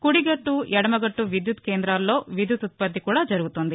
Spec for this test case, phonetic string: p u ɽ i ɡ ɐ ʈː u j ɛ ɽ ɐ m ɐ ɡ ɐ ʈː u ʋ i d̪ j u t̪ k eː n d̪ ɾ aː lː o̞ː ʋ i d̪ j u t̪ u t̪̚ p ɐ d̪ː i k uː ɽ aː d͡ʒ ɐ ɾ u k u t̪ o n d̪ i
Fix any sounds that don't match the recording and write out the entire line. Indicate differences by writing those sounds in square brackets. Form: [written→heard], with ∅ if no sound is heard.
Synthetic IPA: [p→k] u ɽ i ɡ ɐ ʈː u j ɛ ɽ ɐ m ɐ ɡ ɐ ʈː u ʋ i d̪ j u t̪ k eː n d̪ ɾ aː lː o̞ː ʋ i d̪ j u t̪ u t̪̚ p ɐ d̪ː i k uː ɽ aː d͡ʒ ɐ ɾ u [k→ɡ] u t̪ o n d̪ i

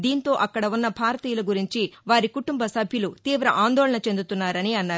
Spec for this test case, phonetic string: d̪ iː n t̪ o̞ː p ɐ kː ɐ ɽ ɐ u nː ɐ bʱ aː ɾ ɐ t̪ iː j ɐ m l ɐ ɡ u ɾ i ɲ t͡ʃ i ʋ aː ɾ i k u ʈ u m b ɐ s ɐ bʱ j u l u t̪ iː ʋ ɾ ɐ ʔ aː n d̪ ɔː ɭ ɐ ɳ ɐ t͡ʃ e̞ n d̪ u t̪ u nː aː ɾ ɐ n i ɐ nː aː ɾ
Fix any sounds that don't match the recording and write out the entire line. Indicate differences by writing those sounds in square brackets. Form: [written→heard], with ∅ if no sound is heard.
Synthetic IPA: d̪ iː n t̪ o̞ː [p→ʔ] ɐ kː ɐ ɽ ɐ u nː ɐ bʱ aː ɾ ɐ t̪ iː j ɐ [m→∅] l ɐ ɡ u ɾ i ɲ t͡ʃ i ʋ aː ɾ i k u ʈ u m b ɐ s ɐ bʱ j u l u t̪ iː ʋ ɾ ɐ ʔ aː n d̪ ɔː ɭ ɐ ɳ ɐ t͡ʃ e̞ n d̪ u t̪ u nː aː ɾ ɐ n i ɐ nː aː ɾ

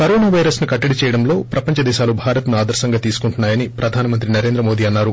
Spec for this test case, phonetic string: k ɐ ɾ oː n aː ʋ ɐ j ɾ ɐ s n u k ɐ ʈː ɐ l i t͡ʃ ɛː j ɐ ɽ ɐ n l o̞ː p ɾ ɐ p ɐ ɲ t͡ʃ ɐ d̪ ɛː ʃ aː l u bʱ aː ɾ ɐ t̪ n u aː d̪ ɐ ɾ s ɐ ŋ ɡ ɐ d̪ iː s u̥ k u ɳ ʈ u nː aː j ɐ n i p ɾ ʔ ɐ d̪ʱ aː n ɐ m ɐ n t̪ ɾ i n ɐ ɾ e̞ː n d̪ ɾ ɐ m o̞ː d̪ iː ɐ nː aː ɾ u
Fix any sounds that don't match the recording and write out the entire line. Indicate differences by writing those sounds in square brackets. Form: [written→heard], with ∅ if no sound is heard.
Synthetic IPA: k ɐ ɾ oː n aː ʋ ɐ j ɾ ɐ s n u k ɐ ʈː ɐ [l→ɽ] i t͡ʃ ɛː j ɐ ɽ ɐ [n→m] l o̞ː p ɾ ɐ p ɐ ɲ t͡ʃ ɐ d̪ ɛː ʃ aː l u bʱ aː ɾ ɐ t̪ n u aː d̪ ɐ ɾ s ɐ ŋ ɡ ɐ [d̪→t̪] iː s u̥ k u ɳ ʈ u nː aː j ɐ n i p ɾ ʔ ɐ d̪ʱ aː n ɐ m ɐ n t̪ ɾ i n ɐ ɾ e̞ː n d̪ ɾ ɐ m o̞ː d̪ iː ɐ nː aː ɾ u

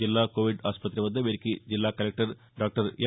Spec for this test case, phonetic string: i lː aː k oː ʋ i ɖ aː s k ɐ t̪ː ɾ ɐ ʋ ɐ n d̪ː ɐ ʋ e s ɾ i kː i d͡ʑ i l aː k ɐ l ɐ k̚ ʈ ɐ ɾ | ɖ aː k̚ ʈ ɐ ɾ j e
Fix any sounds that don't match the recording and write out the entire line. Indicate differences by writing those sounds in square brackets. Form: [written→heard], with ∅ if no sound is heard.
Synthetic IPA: i lː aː k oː ʋ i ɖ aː s [k→p] ɐ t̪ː ɾ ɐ ʋ ɐ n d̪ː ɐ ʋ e [s→∅] ɾ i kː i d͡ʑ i [l→lː] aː k ɐ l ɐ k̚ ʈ ɐ ɾ | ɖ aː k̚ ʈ ɐ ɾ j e

